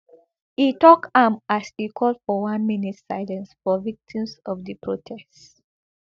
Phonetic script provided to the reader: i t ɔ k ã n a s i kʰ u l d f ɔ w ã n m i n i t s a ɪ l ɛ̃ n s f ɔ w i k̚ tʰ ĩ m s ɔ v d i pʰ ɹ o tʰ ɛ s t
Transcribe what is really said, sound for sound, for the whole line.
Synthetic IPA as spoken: i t ɔ k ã m a s i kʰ ɔ l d f ɔ w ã n m i n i t s a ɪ l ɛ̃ n s f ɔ v i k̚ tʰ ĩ m s ɔ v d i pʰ ɹ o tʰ ɛ s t